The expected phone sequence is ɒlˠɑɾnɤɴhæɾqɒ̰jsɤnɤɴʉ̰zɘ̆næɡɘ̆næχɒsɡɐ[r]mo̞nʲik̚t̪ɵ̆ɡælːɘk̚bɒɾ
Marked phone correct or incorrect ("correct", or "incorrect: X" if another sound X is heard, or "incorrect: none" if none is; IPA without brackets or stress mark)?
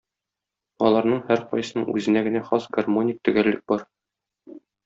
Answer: correct